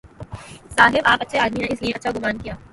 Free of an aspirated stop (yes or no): yes